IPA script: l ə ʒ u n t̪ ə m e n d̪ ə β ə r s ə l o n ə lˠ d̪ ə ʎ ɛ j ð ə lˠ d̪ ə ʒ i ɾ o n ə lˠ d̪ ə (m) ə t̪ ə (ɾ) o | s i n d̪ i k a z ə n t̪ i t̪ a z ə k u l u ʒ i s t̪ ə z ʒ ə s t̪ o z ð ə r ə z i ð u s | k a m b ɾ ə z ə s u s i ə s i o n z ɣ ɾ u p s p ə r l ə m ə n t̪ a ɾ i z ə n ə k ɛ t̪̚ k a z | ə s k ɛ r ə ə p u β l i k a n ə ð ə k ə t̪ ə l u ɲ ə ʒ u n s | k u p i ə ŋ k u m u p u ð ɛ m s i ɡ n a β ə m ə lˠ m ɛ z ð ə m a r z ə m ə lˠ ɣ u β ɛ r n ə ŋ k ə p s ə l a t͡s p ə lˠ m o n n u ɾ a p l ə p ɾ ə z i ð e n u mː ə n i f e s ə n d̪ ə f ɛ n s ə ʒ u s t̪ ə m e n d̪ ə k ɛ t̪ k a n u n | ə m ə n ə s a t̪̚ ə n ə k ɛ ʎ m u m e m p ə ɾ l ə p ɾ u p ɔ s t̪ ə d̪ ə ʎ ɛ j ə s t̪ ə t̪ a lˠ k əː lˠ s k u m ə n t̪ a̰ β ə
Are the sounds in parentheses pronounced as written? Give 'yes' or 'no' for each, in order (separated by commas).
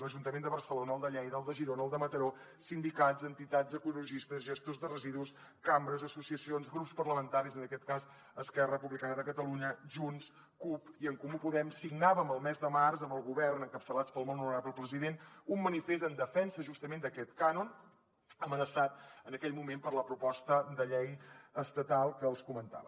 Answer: yes, yes